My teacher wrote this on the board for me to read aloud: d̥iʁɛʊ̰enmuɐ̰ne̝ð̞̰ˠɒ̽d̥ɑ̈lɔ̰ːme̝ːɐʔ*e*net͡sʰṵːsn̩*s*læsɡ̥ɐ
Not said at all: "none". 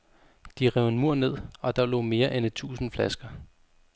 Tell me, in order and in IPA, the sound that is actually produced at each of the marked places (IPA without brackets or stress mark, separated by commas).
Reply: e, f